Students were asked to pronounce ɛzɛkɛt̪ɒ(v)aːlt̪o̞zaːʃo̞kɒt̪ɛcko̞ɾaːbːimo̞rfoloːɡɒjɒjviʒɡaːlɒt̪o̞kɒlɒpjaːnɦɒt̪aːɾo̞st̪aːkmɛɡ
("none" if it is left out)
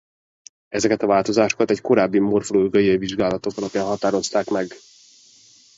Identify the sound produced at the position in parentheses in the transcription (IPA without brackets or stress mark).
v